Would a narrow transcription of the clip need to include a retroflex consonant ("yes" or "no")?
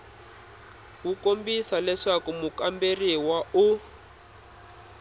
yes